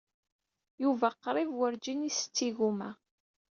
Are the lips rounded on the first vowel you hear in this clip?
yes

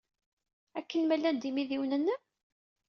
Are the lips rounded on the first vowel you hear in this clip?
no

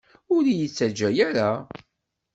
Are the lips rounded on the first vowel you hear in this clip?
yes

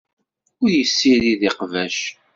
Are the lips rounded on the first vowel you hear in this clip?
yes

